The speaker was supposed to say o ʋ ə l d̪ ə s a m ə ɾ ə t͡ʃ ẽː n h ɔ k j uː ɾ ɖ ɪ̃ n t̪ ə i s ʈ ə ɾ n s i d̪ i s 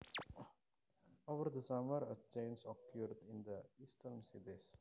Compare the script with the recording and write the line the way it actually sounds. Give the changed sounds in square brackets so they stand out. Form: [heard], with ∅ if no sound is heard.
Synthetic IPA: o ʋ ə [ɾ] d̪ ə s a m ə ɾ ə t͡ʃ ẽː n [s] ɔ k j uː ɾ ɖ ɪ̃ n [d̪] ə i s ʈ ə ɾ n s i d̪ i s